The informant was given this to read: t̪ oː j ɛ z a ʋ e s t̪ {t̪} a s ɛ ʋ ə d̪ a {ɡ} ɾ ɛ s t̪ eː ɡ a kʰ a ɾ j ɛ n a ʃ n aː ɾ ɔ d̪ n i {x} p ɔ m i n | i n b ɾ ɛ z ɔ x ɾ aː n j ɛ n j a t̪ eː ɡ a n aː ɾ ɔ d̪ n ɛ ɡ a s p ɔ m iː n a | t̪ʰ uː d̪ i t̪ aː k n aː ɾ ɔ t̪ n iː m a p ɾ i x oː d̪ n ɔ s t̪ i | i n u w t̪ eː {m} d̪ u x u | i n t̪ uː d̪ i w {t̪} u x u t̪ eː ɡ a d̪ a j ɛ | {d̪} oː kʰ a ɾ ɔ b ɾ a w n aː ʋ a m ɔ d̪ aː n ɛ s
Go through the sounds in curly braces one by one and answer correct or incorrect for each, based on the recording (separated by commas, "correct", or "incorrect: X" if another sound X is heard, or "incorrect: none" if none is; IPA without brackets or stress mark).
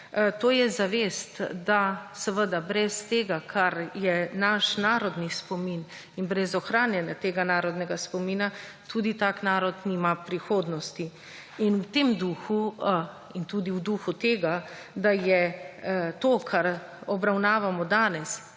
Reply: incorrect: d̪, incorrect: b, incorrect: s, correct, incorrect: d̪, incorrect: t̪